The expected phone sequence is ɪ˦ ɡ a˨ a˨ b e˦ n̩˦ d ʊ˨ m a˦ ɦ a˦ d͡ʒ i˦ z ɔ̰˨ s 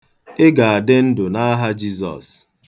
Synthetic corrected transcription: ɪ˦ ɡ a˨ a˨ d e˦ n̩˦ d ʊ˨ n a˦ ɦ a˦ d͡ʒ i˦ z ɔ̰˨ s